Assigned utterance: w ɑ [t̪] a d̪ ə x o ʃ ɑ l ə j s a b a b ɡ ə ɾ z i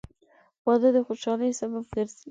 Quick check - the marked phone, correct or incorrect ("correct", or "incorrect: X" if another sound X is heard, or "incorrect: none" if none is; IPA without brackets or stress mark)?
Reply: incorrect: d̪